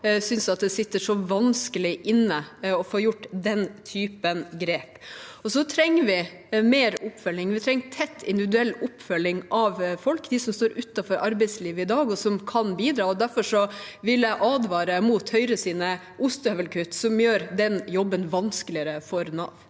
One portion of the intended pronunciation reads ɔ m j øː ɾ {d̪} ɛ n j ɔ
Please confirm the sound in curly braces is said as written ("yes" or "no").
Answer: yes